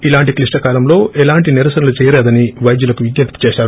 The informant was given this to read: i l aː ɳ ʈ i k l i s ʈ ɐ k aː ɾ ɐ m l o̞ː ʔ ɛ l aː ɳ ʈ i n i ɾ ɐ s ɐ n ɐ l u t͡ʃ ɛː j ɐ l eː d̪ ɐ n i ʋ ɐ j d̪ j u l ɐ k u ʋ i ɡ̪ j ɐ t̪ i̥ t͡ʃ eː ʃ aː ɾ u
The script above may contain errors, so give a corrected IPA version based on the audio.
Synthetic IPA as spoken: i l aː ɳ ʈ i k l i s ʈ ɐ k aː l ɐ m l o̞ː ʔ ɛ l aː ɳ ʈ i n i ɾ ɐ s ɐ n ɐ l u t͡ʃ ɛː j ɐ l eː d̪ ɐ n i ʋ ɐ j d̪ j u l ɐ k u ʋ i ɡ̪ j ɐ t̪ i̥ t͡ʃ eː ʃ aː ɾ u